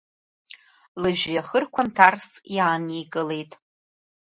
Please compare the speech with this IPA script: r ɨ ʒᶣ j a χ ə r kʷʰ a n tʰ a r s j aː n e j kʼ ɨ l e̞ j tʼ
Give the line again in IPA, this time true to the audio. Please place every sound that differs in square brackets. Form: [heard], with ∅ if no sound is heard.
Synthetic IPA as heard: [l] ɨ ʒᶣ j a χ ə r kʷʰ a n tʰ a r s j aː n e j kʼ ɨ l e̞ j tʼ